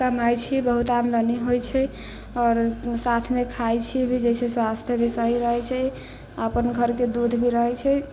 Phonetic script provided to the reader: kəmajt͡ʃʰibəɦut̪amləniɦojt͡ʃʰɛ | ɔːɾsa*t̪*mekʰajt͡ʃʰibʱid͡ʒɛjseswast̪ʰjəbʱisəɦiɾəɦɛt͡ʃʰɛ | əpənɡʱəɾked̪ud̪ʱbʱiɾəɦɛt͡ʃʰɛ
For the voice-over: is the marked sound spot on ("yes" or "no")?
no